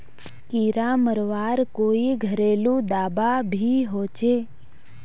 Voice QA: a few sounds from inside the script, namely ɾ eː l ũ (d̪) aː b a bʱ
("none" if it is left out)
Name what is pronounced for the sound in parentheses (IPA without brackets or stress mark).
d̪